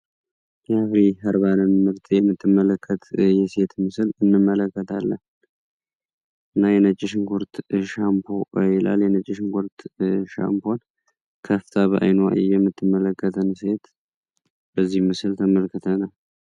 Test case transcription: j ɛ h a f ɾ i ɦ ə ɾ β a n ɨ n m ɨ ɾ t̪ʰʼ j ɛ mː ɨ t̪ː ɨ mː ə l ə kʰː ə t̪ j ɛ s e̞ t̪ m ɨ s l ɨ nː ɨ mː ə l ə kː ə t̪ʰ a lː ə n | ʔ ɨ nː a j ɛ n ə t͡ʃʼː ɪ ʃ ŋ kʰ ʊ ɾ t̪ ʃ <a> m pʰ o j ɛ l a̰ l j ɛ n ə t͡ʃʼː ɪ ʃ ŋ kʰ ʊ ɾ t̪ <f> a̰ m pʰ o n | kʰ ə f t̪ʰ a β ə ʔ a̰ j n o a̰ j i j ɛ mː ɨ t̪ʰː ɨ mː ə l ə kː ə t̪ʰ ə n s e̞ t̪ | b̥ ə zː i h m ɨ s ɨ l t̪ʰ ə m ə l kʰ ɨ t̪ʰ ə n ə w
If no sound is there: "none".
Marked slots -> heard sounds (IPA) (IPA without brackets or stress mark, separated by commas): a, ʃ